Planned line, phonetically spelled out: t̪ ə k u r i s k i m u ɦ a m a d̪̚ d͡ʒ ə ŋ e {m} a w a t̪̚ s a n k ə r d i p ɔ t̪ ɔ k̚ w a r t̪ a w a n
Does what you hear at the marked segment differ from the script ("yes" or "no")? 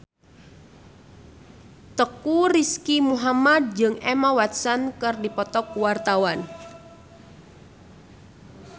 no